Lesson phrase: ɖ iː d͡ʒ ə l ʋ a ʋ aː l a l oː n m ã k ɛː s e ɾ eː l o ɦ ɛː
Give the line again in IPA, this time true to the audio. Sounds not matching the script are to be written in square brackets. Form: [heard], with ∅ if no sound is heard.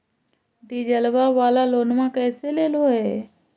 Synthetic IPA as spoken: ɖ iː d͡ʒ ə l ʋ a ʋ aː l a l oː n m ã k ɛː s e [l] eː l o ɦ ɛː

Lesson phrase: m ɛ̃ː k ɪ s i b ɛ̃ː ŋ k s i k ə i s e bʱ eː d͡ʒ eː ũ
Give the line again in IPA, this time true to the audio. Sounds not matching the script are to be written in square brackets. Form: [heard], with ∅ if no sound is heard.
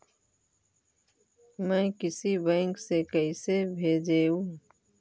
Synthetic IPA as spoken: m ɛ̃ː k ɪ s i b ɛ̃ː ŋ k s [e] k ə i s e bʱ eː d͡ʒ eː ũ

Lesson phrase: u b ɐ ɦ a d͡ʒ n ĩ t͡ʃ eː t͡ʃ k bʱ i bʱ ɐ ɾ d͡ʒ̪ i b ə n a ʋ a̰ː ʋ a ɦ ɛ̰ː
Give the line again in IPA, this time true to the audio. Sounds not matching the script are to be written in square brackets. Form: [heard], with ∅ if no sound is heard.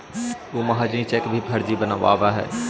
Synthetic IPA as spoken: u [m] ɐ ɦ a d͡ʒ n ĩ t͡ʃ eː [∅] k bʱ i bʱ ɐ ɾ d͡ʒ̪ i b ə n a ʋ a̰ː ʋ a ɦ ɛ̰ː

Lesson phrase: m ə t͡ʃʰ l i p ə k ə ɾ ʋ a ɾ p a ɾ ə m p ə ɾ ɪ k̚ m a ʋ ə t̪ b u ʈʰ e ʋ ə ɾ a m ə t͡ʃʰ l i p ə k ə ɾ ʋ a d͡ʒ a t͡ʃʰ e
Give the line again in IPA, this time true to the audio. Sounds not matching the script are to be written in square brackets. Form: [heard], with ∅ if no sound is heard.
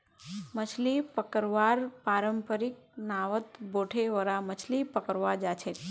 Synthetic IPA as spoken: m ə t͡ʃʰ l i p ə k ə ɾ ʋ a ɾ p a ɾ ə m p ə ɾ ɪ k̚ [n] a ʋ ə t̪ b [o] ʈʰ e ʋ ə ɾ a m ə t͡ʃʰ l i p ə k ə ɾ ʋ a d͡ʒ a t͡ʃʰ e

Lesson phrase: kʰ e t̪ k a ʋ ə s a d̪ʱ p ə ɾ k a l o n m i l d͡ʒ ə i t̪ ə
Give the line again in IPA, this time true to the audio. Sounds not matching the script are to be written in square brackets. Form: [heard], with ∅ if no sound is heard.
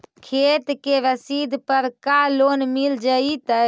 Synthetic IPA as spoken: kʰ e t̪ k [e] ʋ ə s [i] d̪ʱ p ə ɾ k a l o n m i l d͡ʒ ə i t̪ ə

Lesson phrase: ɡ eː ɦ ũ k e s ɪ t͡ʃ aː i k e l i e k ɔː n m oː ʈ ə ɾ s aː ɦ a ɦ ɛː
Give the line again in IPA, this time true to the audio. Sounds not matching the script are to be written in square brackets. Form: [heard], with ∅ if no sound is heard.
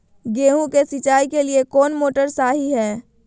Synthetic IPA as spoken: ɡ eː ɦ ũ k e s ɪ t͡ʃ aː i k e l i e k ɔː n m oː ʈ ə ɾ s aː ɦ [i] ɦ ɛː

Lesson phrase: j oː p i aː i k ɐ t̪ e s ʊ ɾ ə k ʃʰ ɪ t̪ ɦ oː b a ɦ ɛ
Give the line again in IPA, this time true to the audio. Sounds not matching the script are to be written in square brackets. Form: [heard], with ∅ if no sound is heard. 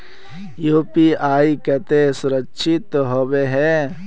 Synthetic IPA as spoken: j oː p i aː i k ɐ t̪ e s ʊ ɾ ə k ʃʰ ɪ t̪ ɦ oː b [e] ɦ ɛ

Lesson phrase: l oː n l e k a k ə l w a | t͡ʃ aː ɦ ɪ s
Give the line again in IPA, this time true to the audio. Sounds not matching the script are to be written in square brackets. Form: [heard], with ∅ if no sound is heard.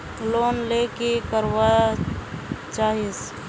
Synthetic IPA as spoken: l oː n l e k [e] k ə [ɾ] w a | t͡ʃ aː ɦ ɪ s

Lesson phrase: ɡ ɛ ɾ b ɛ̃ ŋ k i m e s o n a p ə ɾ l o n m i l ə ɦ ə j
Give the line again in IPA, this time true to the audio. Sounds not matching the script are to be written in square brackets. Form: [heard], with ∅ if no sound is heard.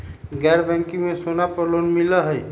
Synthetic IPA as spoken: ɡ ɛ ɾ b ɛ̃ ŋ k i m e s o n a p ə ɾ l o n m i l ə ɦ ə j

